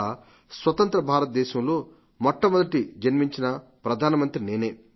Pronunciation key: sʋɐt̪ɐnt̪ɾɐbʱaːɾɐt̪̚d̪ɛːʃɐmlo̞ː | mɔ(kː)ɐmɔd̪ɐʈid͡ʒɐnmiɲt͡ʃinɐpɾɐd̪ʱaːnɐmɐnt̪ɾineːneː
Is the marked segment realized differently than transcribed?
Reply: yes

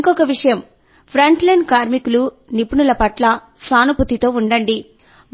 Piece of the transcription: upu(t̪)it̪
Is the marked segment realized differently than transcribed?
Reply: no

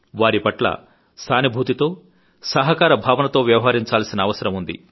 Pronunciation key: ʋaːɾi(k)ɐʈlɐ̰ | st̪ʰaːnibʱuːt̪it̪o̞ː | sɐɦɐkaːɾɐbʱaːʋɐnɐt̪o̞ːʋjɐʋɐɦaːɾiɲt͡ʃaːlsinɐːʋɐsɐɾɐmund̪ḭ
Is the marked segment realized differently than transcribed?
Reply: yes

